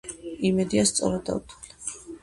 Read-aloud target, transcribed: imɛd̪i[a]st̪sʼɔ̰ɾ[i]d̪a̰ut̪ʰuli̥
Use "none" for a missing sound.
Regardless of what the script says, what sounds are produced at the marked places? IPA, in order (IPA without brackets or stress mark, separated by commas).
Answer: a, a